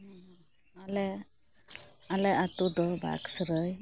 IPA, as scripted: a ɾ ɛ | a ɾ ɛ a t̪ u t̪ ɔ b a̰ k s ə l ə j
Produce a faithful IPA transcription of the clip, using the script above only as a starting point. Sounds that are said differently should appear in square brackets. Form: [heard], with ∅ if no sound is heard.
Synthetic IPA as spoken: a [l] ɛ | a [l] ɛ a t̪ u [d̪] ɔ b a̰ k s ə [ɾ] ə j